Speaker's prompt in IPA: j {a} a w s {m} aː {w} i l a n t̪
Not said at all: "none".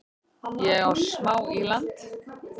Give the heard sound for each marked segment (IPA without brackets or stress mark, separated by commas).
ɛ, m, w